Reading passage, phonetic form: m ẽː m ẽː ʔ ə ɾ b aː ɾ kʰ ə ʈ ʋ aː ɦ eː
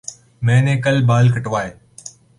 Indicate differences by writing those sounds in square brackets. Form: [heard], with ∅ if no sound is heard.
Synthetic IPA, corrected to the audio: m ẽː [n] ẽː [k] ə [l] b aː [l] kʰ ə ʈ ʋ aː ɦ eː